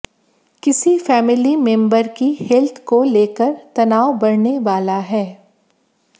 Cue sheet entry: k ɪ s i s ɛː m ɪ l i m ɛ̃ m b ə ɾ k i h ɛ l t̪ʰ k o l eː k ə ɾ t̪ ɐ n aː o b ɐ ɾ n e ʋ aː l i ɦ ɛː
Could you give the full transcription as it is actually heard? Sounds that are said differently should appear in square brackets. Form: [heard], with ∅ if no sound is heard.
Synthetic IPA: k ɪ s i [f] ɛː m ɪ l i m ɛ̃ m b ə ɾ k i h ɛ l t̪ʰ k o l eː k ə ɾ t̪ ɐ n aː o b ɐ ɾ n e ʋ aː l [a] ɦ ɛː

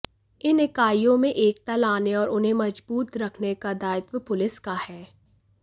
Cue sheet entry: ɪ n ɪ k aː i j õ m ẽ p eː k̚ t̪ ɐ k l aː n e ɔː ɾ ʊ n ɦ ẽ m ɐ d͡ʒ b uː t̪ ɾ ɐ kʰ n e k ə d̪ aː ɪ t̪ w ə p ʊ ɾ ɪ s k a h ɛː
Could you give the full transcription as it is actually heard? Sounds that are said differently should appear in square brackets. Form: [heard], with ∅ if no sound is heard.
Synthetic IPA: ɪ n ɪ k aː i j õ m ẽ [ʔ] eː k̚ t̪ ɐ [∅] l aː n e ɔː ɾ ʊ n ɦ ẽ m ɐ d͡ʒ b uː t̪ ɾ ɐ kʰ n e k [a] d̪ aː ɪ t̪ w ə p ʊ [l] ɪ s k a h ɛː

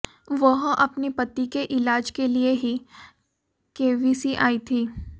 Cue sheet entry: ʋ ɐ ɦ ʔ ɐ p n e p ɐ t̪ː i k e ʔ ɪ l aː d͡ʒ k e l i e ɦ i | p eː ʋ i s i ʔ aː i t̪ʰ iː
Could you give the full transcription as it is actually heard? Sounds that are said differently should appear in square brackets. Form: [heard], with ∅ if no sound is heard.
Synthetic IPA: ʋ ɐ ɦ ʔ ɐ p n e p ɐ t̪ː i k e ʔ ɪ l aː d͡ʒ k e l i e ɦ i | [k] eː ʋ i s i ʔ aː i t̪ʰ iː

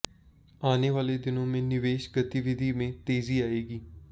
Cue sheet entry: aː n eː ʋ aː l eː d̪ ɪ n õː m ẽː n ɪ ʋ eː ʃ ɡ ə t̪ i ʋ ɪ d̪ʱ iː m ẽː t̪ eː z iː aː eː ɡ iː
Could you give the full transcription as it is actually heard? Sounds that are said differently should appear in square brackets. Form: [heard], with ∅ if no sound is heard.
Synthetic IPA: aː n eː ʋ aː l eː d̪ ɪ n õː m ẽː n ɪ ʋ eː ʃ ɡ ə t̪ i ʋ ɪ d̪ʱ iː m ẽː t̪ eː z iː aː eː ɡ iː

